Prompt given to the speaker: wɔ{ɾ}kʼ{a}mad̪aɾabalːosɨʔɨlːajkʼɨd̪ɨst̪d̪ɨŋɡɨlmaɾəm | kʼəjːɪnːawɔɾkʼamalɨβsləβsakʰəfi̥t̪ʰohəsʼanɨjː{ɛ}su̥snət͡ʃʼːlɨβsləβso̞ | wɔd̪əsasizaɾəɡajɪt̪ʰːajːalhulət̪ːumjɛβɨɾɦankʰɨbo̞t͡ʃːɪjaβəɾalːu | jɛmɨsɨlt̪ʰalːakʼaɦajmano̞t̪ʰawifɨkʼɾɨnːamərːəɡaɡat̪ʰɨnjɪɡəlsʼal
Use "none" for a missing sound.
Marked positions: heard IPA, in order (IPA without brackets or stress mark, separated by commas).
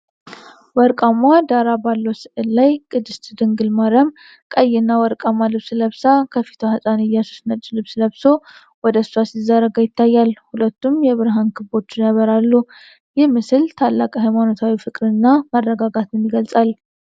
ɾ, a, a